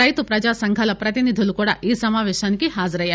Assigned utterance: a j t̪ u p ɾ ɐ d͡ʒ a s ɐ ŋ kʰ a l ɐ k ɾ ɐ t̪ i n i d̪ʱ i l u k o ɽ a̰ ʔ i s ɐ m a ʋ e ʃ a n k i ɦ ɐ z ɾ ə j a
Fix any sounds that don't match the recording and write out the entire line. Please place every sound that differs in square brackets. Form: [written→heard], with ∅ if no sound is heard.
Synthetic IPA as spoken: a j t̪ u p ɾ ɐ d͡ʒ a s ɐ ŋ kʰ a l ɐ [k→p] ɾ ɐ t̪ i n i d̪ʱ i l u k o ɽ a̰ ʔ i s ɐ m a ʋ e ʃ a n k i ɦ [ɐ→a] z ɾ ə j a